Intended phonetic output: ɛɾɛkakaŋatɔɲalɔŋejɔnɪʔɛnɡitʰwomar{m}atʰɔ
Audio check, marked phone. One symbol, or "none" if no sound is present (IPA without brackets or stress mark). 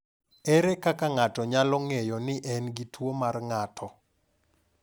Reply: ŋ